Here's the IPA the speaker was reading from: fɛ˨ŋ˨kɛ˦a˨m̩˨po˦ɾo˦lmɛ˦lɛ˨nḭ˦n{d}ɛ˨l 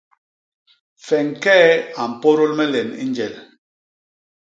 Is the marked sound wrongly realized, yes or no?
yes